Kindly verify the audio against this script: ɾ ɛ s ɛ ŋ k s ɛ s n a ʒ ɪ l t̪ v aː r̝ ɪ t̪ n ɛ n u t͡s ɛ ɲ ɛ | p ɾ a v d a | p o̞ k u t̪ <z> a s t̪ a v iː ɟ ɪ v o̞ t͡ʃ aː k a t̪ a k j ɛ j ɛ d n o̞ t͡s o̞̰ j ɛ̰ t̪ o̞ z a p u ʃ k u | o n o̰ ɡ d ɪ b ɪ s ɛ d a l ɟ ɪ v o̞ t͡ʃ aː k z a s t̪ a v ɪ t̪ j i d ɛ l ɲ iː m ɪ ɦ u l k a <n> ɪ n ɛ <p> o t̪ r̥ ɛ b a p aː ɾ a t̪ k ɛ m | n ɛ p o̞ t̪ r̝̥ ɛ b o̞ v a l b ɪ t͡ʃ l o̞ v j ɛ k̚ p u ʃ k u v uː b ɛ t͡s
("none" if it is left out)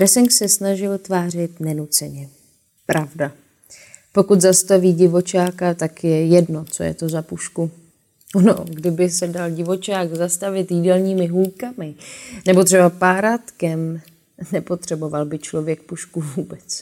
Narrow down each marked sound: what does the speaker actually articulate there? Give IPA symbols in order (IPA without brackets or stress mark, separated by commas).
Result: z, m, b